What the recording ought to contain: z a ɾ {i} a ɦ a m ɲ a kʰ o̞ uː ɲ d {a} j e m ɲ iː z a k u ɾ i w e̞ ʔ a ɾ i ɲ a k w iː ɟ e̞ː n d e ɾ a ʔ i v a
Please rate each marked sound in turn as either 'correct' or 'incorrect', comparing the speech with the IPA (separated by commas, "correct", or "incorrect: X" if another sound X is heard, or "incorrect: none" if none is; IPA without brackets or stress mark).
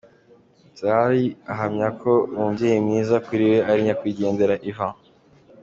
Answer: correct, incorrect: i